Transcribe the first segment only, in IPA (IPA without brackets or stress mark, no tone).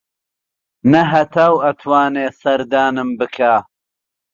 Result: n